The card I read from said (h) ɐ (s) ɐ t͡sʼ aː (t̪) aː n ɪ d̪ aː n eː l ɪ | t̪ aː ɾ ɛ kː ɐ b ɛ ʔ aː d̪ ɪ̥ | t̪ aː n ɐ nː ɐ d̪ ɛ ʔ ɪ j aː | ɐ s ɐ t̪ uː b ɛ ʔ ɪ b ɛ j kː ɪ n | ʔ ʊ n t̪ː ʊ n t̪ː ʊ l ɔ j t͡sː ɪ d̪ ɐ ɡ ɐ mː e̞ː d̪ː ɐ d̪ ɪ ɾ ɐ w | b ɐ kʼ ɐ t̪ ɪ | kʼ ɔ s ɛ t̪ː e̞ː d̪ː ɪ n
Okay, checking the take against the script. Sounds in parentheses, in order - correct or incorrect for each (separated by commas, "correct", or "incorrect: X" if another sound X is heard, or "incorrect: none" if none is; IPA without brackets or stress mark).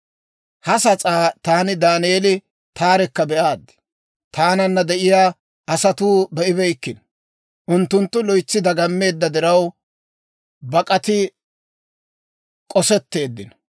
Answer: correct, correct, correct